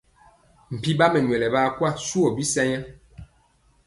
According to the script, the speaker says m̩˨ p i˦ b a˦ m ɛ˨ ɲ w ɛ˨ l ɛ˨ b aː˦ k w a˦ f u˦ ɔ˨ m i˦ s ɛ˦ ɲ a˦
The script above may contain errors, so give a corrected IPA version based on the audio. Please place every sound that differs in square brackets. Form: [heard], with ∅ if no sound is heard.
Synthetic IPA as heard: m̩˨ p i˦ b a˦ m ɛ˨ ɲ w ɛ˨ l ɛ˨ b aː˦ k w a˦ [s] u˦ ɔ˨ [b] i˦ s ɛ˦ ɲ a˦